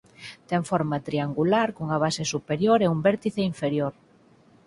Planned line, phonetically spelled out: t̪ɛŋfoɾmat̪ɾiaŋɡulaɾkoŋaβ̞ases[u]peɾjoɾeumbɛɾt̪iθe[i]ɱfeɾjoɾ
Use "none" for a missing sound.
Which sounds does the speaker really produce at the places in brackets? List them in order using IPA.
u, i

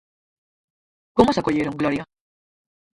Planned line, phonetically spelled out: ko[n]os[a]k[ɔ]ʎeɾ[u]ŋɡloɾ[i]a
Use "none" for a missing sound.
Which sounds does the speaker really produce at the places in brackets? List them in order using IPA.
m, a, o, o, j

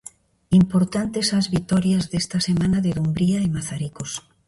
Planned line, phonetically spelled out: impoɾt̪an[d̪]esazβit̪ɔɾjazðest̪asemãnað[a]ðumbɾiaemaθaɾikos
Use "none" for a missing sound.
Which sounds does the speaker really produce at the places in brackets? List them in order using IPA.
t̪, e

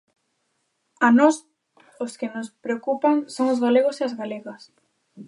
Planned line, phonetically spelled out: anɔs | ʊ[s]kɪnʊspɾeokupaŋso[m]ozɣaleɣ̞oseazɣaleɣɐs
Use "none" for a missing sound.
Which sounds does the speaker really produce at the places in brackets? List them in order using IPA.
s, ŋ

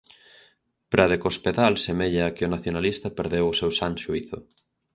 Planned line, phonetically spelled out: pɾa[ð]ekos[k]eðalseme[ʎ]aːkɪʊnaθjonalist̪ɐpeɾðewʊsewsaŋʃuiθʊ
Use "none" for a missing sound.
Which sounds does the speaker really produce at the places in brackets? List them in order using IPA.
ð, p, ʎ

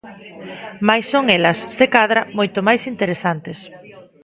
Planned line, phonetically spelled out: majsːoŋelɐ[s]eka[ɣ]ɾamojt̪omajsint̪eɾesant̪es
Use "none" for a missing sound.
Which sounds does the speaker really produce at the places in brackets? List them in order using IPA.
sː, ð

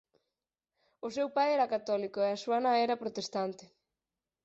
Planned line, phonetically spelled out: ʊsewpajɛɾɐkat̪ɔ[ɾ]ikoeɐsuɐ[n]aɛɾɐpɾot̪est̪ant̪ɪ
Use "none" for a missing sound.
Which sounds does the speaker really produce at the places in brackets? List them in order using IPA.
l, n

